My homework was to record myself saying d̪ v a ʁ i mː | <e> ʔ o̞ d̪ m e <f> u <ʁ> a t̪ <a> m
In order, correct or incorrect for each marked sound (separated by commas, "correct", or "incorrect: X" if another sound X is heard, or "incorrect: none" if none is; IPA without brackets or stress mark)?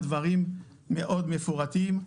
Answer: correct, correct, correct, incorrect: i